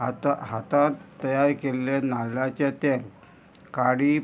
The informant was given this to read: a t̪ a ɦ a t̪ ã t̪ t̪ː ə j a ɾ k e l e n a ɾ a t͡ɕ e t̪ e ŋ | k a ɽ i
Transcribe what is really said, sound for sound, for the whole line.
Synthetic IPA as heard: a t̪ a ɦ a t̪ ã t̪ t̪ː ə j a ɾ k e l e n a l a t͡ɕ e t̪ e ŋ | k a ɽ i